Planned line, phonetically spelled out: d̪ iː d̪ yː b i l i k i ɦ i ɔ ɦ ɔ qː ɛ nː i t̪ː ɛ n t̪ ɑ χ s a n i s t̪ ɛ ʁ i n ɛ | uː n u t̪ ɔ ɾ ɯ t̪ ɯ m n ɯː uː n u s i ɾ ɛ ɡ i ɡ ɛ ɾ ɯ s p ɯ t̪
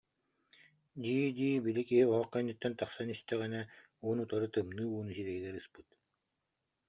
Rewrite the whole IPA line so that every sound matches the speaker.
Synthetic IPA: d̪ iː d̪ iː b i l i k i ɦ i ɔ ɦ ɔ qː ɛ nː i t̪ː ɛ n t̪ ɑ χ s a n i s t̪ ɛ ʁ ɛ n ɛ | uː n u t̪ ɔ ɾ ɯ t̪ ɯ m n ɯː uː n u s i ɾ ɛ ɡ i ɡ ɛ ɾ ɯ s p ɯ t̪